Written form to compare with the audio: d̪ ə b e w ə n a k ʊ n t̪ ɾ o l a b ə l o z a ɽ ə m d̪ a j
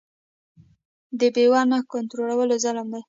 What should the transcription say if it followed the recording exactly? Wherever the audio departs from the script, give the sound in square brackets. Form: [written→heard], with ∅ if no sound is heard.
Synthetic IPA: d̪ ə b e w [ə→ɑ] n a k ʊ n t̪ ɾ o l a [b→w] ə l o z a [ɽ→l] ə m d̪ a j